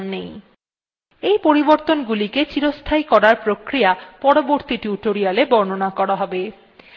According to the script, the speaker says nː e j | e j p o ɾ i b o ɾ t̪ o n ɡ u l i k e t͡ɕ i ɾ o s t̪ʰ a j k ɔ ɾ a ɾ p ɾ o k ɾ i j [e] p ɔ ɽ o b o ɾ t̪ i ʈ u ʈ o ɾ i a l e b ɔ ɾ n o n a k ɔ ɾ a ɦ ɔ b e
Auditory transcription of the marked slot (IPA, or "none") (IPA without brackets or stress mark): a